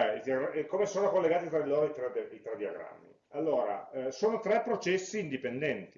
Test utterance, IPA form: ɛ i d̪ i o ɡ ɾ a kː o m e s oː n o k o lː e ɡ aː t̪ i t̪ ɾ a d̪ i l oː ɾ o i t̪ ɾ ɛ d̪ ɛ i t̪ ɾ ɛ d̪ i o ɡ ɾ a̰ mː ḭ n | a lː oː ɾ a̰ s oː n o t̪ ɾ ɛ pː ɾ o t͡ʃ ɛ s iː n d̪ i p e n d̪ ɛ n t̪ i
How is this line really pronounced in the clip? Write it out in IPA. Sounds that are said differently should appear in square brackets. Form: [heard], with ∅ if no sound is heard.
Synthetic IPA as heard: ɛ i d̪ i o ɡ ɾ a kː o m e s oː n o k o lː e ɡ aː t̪ i t̪ ɾ a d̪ i l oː ɾ o i t̪ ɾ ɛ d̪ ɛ i t̪ ɾ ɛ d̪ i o ɡ ɾ a̰ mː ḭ [∅] | a lː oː ɾ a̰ s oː n o t̪ ɾ ɛ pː ɾ o t͡ʃ ɛ [sː] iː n d̪ i p e n d̪ ɛ n t̪ i